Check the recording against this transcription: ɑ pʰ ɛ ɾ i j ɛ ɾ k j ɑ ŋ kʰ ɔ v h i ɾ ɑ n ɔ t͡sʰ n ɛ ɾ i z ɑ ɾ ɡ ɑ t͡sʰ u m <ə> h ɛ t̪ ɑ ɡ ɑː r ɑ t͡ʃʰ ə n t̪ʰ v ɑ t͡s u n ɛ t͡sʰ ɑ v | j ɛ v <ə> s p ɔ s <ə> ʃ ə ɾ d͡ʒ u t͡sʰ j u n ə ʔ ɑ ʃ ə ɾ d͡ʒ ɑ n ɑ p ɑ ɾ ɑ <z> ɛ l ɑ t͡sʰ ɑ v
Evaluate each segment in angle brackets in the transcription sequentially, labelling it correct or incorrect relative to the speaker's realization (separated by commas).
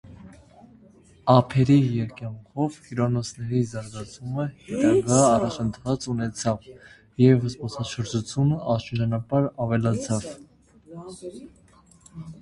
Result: correct, correct, incorrect, incorrect